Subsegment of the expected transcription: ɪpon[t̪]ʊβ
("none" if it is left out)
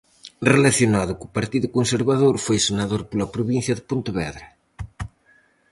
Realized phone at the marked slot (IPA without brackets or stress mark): t̪